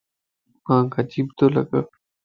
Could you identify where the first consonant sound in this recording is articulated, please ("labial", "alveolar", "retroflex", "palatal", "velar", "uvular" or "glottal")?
labial